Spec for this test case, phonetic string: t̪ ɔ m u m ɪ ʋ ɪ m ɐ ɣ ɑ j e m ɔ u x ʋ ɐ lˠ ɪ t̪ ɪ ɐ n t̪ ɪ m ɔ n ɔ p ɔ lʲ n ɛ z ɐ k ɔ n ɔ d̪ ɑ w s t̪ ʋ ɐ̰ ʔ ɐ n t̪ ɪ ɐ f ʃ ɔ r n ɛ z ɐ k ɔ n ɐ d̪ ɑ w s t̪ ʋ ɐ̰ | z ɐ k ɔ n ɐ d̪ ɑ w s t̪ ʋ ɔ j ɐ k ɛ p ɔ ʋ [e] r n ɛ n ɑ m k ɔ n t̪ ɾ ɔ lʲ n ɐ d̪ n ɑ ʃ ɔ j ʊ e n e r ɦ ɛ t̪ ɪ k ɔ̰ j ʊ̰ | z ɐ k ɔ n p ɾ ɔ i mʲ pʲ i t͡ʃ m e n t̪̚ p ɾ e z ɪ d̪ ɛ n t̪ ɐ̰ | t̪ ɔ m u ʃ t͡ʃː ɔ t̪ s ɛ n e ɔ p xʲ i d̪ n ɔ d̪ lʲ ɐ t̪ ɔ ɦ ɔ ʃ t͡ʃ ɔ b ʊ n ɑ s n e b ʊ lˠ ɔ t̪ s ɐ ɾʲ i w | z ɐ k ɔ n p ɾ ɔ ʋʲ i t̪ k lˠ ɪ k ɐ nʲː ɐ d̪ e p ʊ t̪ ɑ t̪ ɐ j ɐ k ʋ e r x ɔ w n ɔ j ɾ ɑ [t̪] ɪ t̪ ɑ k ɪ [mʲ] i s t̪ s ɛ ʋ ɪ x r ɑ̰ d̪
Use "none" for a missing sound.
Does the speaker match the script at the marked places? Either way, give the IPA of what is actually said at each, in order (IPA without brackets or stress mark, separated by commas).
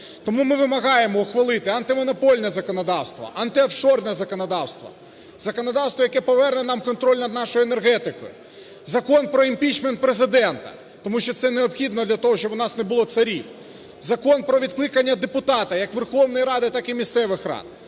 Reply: ɛ, d̪, mʲ